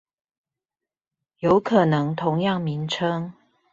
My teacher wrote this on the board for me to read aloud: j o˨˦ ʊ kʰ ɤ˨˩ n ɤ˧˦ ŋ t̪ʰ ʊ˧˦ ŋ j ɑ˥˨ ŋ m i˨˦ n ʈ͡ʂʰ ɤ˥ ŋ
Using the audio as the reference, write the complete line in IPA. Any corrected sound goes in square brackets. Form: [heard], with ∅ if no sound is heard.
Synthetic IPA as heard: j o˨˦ ʊ kʰ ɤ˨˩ n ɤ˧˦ ŋ t̪ʰ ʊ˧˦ ŋ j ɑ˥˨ ŋ m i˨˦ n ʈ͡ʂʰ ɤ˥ ŋ